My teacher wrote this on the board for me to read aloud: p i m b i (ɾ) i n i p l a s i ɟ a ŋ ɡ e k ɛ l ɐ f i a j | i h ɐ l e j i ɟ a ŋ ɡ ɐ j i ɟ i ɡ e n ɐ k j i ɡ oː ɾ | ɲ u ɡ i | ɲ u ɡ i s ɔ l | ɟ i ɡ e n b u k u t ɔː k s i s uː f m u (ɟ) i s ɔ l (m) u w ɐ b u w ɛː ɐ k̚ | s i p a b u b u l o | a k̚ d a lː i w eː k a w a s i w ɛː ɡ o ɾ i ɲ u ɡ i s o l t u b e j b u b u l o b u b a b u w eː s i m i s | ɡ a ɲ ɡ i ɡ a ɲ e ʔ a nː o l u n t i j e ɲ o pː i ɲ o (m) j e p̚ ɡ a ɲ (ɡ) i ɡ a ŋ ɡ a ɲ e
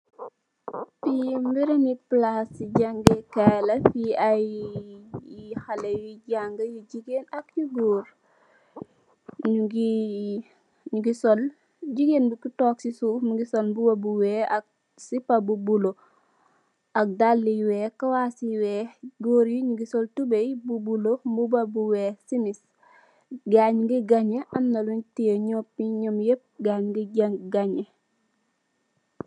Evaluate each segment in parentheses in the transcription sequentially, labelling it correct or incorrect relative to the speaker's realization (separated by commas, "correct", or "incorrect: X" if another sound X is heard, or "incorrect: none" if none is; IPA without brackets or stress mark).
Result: correct, incorrect: ɡ, incorrect: b, correct, correct